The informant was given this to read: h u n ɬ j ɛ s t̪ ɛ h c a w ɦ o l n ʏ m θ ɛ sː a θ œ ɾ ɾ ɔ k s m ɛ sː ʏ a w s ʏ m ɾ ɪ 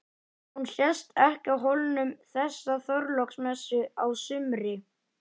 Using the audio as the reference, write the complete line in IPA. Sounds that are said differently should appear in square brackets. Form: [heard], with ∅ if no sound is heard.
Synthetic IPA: h u n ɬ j ɛ s t̪ ɛ h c a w ɦ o l n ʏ m θ ɛ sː a θ œ ɾ [l] ɔ k s m ɛ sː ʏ a w s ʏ m ɾ ɪ